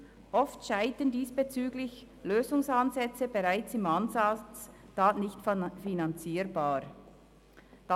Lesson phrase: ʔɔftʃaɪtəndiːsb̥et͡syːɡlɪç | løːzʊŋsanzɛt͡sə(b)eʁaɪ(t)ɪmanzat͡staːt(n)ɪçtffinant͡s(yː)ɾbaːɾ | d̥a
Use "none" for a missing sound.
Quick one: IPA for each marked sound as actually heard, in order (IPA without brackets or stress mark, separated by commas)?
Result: b, t͡s, n, iː